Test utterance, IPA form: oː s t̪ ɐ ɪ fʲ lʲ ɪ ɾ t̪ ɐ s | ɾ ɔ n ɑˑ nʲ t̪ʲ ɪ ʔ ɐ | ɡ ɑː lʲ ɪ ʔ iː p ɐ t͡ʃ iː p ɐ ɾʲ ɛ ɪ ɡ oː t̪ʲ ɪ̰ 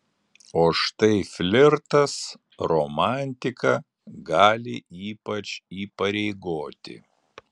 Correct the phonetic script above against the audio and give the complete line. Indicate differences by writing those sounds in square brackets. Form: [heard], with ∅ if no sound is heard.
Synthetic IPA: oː [ʃ] t̪ ɐ ɪ fʲ lʲ ɪ ɾ t̪ ɐ s | ɾ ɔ [m] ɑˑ nʲ t̪ʲ ɪ [k] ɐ | ɡ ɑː lʲ ɪ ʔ iː p ɐ t͡ʃ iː p ɐ ɾʲ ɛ ɪ ɡ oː t̪ʲ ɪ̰

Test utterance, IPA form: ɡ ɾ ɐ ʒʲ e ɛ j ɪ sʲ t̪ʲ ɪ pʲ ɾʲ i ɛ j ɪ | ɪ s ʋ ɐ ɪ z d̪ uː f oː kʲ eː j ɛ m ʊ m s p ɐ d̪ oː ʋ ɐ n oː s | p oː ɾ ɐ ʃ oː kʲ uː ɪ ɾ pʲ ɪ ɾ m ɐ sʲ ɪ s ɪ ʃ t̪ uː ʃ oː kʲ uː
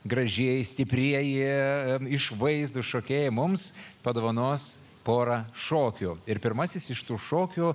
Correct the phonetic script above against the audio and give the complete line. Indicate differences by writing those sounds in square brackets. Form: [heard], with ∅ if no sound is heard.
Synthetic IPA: ɡ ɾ ɐ ʒʲ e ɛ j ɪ sʲ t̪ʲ ɪ pʲ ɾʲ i ɛ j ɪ | ɪ [ʃ] ʋ ɐ ɪ z d̪ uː [ʃ] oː kʲ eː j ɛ m ʊ m s p ɐ d̪ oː ʋ ɐ n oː s | p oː ɾ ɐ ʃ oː kʲ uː ɪ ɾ pʲ ɪ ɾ m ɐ sʲ ɪ s ɪ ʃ t̪ uː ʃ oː kʲ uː

